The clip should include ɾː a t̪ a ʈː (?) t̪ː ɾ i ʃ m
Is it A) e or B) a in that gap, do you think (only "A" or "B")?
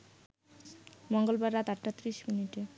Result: B